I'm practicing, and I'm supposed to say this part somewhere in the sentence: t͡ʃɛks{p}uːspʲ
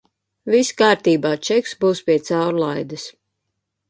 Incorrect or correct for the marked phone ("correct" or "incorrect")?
incorrect